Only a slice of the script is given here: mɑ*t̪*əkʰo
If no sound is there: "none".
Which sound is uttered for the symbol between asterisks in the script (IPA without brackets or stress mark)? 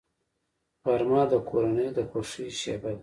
d̪